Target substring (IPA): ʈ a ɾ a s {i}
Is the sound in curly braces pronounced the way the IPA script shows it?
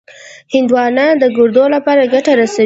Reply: no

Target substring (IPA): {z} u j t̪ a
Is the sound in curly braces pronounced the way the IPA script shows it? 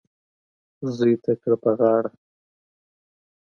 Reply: yes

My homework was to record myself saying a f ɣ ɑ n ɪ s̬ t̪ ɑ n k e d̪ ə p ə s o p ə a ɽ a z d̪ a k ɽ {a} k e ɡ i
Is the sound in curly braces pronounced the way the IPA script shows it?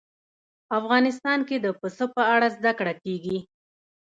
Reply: yes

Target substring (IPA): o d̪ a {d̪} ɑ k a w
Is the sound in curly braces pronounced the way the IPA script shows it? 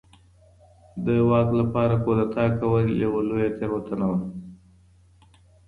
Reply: no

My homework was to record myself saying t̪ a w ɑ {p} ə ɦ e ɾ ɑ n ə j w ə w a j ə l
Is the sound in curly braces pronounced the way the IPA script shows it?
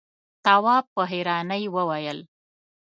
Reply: yes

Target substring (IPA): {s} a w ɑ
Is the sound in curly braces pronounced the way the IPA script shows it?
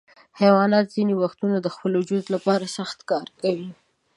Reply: no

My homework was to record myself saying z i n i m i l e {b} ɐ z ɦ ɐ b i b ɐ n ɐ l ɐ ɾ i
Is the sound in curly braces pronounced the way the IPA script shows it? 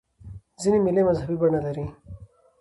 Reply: no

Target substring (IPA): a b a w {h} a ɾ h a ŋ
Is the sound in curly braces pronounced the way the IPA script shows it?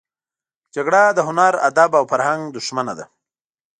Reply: no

